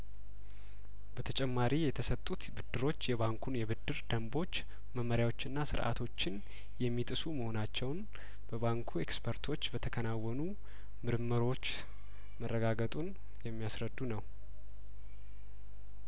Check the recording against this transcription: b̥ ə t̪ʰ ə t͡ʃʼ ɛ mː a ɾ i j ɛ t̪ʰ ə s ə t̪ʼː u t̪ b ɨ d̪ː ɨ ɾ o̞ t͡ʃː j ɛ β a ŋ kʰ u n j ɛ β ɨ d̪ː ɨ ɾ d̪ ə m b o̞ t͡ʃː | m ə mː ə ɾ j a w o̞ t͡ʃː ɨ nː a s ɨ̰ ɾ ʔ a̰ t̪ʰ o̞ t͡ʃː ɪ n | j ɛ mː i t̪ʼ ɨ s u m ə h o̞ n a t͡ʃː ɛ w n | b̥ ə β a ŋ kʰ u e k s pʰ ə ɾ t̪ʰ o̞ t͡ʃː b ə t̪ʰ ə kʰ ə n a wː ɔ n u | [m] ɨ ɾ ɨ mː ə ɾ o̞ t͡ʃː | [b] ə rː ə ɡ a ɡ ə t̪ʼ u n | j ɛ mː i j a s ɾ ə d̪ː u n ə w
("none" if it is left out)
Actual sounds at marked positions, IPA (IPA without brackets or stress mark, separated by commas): m, m